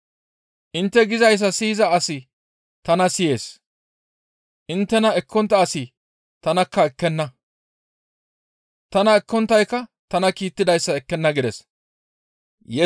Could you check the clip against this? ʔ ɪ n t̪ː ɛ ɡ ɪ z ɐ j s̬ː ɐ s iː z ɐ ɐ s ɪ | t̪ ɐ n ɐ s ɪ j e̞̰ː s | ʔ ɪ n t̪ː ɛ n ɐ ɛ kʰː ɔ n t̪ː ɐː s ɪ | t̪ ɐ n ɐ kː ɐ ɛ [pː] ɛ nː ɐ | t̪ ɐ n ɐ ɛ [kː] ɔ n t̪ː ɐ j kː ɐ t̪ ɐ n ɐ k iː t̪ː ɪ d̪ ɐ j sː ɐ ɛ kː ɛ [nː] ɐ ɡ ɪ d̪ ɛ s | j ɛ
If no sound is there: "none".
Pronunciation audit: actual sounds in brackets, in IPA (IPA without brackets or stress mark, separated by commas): kː, kː, nː